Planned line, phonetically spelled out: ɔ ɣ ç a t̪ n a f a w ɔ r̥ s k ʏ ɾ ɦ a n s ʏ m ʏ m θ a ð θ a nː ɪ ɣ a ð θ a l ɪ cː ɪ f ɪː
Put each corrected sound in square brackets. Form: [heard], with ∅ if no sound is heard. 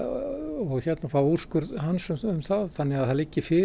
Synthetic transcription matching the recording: ɔ ɣ ç [ɛ] t̪ n a f a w [u] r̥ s k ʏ ɾ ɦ a n s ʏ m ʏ m θ a ð θ a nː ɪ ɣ a ð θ a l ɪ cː ɪ f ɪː